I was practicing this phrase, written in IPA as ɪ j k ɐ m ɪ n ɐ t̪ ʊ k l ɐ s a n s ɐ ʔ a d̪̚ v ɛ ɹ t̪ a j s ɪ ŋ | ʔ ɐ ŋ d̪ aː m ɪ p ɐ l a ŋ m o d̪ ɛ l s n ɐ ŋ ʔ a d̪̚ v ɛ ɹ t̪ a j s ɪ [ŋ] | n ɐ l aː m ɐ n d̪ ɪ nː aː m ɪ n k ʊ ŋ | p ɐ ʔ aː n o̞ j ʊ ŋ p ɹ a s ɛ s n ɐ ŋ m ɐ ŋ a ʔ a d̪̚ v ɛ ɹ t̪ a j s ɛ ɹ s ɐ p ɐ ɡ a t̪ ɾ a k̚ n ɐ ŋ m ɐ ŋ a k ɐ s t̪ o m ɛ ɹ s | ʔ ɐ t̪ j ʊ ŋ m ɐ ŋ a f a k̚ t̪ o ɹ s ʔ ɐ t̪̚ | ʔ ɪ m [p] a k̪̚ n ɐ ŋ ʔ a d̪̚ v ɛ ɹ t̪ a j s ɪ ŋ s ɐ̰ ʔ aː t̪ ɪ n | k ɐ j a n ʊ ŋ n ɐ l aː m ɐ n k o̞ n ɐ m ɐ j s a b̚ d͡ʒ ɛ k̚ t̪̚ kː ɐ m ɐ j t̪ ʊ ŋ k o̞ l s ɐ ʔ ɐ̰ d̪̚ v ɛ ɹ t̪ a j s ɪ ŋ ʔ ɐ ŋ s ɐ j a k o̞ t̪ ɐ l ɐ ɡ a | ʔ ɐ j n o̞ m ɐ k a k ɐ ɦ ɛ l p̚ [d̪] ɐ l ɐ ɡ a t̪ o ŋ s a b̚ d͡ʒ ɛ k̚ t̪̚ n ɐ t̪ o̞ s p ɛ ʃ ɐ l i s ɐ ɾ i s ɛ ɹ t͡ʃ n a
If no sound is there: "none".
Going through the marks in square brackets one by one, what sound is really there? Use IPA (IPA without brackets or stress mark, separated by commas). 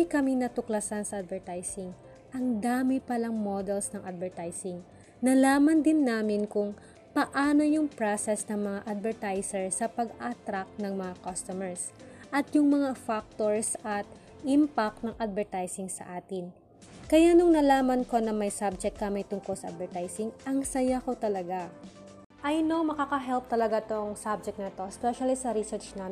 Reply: ŋ, p, t̪